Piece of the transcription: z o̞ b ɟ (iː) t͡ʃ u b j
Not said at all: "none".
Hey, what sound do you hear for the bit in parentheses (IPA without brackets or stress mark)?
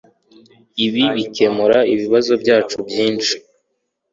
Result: aː